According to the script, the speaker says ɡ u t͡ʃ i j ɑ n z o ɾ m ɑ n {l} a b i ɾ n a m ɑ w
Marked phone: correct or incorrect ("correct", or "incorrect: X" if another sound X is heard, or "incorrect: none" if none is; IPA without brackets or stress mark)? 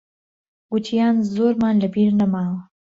correct